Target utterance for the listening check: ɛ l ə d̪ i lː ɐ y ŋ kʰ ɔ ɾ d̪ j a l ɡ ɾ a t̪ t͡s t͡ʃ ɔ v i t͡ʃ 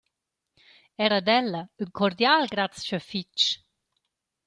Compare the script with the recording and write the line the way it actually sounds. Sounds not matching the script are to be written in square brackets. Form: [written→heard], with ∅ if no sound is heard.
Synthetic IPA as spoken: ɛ [l→ɾ] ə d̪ [i→ɛ] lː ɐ y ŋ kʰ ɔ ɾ d̪ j a l ɡ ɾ a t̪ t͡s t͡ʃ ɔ [v→f] i t͡ʃ